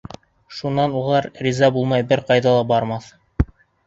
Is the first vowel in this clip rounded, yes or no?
yes